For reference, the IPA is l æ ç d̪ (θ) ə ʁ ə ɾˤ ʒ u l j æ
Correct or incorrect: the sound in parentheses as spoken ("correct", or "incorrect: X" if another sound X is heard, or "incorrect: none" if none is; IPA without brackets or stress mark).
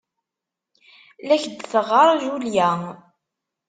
correct